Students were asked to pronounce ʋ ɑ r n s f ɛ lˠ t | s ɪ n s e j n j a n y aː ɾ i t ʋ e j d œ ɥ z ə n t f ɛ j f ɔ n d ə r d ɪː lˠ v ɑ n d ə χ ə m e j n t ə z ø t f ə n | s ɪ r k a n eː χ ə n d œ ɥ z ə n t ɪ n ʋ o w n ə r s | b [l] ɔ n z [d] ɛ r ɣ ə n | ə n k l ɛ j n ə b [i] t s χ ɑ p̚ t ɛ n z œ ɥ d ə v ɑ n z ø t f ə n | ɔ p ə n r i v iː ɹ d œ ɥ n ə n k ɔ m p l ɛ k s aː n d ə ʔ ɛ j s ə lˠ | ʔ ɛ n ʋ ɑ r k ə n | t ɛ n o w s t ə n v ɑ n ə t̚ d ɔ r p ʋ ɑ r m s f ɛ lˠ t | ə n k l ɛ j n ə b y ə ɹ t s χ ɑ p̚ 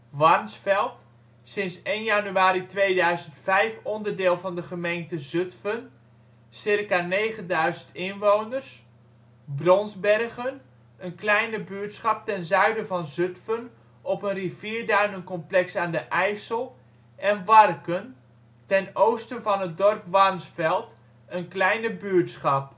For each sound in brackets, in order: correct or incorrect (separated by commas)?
incorrect, incorrect, incorrect